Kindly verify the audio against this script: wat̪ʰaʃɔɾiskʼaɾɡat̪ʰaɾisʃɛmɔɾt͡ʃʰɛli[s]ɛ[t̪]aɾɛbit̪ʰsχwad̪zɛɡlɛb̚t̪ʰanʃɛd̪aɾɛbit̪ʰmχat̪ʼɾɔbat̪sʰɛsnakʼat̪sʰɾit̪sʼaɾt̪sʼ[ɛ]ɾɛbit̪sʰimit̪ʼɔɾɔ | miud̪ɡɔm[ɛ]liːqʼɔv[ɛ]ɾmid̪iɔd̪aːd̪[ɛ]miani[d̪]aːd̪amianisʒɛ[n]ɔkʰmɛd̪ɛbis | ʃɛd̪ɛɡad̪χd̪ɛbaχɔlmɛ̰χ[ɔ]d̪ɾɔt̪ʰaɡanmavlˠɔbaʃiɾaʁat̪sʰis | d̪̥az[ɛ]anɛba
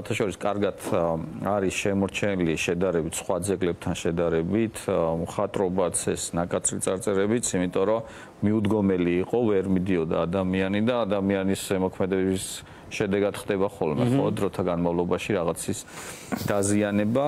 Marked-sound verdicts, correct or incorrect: incorrect, incorrect, correct, correct, correct, incorrect, correct, incorrect, correct, incorrect

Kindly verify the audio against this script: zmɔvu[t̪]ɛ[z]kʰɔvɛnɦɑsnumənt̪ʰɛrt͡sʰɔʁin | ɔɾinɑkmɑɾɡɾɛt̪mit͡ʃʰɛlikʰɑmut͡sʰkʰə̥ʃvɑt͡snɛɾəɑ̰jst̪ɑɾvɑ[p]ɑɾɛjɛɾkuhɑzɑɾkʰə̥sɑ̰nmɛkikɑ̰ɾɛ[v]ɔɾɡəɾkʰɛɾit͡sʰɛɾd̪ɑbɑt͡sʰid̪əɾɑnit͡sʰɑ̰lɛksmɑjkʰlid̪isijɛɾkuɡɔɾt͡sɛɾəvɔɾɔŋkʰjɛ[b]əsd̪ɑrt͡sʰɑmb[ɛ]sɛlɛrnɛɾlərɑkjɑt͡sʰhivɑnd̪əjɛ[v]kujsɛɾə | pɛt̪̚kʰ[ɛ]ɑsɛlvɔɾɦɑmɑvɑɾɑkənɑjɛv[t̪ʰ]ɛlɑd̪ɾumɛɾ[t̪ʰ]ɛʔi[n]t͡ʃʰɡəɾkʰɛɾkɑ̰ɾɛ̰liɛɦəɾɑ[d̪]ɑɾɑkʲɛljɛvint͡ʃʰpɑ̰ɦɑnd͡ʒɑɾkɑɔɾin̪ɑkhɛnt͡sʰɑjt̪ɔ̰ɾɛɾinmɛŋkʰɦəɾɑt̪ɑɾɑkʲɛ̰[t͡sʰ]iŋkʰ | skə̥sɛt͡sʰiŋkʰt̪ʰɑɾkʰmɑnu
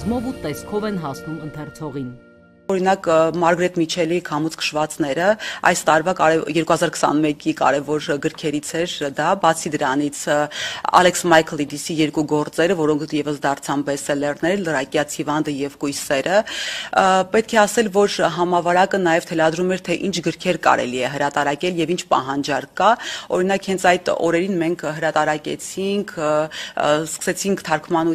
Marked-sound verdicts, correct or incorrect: correct, incorrect, incorrect, correct, incorrect, correct, correct, correct, correct, correct, correct, incorrect, correct

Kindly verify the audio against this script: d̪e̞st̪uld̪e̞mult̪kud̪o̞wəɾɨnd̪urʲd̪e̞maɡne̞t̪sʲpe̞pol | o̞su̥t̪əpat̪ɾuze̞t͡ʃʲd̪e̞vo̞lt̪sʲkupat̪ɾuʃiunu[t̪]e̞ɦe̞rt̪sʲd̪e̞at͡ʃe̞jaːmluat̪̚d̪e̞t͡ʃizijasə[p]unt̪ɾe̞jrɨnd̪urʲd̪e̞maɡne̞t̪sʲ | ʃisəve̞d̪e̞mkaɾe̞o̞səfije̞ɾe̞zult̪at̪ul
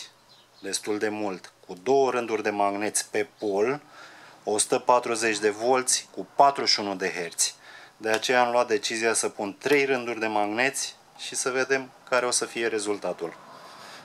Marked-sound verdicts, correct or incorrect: incorrect, correct

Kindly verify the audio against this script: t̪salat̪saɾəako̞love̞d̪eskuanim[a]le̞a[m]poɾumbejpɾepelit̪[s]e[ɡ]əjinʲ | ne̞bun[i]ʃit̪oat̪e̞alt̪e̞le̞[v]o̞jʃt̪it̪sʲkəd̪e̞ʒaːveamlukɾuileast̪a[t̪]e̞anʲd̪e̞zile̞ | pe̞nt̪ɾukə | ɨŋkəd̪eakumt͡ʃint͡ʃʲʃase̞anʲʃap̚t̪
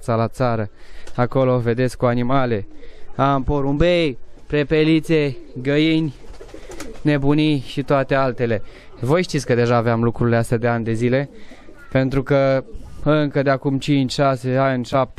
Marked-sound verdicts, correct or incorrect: correct, correct, correct, correct, correct, correct, incorrect

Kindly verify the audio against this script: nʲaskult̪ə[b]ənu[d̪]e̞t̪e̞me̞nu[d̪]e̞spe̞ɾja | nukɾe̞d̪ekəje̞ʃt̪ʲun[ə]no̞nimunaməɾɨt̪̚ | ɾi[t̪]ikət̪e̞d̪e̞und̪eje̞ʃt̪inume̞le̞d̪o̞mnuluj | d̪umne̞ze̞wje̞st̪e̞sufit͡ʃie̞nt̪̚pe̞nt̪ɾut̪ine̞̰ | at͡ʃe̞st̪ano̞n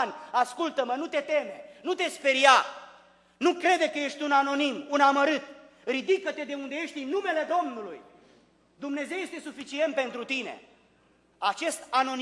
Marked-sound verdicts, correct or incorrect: incorrect, incorrect, incorrect, incorrect, incorrect

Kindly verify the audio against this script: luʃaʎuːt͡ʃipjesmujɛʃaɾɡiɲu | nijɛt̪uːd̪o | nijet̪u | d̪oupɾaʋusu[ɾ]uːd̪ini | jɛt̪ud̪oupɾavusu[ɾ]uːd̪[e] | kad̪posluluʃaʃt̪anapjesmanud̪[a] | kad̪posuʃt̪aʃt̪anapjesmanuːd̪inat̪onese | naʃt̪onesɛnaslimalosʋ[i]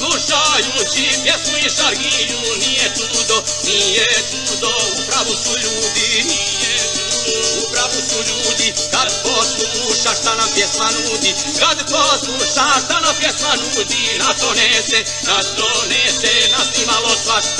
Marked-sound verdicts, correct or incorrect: incorrect, incorrect, incorrect, incorrect, incorrect

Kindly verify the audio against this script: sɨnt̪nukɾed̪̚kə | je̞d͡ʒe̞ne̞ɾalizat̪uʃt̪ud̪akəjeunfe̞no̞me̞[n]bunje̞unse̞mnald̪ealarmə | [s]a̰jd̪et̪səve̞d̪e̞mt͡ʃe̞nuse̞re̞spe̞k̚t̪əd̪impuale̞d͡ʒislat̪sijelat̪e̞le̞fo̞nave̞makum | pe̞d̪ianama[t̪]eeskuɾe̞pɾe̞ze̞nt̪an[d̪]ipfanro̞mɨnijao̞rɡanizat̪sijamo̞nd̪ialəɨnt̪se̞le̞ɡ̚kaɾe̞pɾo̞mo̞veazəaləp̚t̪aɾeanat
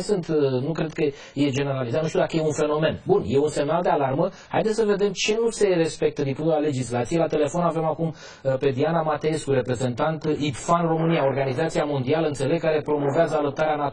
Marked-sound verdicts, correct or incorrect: correct, incorrect, correct, incorrect

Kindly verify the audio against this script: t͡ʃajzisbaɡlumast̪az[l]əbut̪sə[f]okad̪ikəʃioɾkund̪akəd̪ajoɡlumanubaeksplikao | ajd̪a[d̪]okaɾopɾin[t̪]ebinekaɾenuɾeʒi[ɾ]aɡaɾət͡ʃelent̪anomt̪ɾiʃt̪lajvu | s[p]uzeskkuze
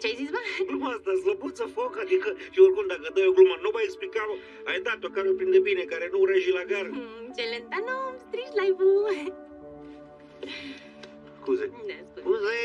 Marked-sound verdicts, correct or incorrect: correct, correct, incorrect, incorrect, incorrect, incorrect

